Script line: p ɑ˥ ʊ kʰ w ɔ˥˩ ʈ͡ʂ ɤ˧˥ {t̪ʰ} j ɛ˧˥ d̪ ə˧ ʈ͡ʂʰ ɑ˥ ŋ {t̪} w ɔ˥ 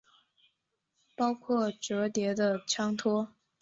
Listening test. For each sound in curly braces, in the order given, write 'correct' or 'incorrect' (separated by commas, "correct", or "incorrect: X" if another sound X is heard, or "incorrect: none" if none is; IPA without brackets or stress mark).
incorrect: t̪, incorrect: t̪ʰ